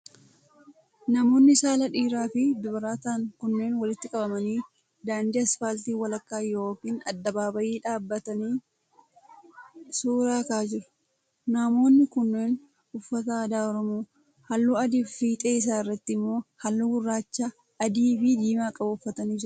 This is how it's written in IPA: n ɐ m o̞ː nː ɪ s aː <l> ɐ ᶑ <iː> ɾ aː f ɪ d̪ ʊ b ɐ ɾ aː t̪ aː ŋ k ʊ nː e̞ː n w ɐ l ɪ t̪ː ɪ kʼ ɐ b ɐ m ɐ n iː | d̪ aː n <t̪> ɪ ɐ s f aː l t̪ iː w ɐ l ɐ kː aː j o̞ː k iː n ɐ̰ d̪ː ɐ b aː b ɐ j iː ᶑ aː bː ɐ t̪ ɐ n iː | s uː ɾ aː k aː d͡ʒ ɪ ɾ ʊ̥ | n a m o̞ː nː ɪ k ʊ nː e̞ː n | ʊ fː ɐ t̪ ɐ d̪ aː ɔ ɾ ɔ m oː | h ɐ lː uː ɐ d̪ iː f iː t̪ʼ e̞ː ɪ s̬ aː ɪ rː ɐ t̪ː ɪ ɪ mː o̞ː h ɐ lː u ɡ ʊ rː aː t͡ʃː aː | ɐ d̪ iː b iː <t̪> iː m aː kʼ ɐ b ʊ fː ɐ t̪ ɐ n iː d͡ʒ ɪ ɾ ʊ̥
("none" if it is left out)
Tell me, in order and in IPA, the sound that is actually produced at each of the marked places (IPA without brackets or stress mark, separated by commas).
l, iː, d̪, d̪